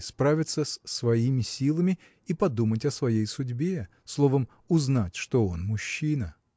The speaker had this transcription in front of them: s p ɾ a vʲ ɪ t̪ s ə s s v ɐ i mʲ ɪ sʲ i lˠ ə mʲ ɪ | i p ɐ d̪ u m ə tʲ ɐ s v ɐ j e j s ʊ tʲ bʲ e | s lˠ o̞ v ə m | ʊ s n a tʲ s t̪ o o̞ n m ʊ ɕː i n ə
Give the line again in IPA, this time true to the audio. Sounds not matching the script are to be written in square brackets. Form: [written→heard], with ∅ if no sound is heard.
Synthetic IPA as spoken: s p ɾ a vʲ ɪ t̪ s ə s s v ɐ i mʲ ɪ sʲ i lˠ ə mʲ ɪ | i p ɐ d̪ u m ə tʲ ɐ s v ɐ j e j s ʊ [tʲ→dʲ] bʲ e | s lˠ o̞ v ə m | ʊ [s→z] n a tʲ [s→ʂ] t̪ o o̞ n m ʊ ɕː i n ə